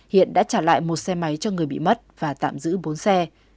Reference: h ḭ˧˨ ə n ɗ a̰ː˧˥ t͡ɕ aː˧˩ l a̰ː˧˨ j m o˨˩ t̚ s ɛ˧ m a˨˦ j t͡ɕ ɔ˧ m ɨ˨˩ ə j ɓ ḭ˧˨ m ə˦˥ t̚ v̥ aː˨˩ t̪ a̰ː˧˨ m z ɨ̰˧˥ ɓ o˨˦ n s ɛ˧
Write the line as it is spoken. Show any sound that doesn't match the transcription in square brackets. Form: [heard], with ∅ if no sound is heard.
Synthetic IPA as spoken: h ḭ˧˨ ə n ɗ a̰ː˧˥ t͡ɕ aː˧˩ l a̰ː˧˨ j m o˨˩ t̚ s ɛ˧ m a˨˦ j t͡ɕ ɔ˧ [ŋ] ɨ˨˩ ə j ɓ ḭ˧˨ m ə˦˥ t̚ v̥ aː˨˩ t̪ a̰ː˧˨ m z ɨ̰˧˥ ɓ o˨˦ n s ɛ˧